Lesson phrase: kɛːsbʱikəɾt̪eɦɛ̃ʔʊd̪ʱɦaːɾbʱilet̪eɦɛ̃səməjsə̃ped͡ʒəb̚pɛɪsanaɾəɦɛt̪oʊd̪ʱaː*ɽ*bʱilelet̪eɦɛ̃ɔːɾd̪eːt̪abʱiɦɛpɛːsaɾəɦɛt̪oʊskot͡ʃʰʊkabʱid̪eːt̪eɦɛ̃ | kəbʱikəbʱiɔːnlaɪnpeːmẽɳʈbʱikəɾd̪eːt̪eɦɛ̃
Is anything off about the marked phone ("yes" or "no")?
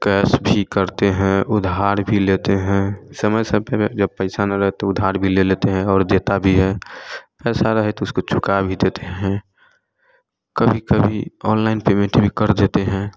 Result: yes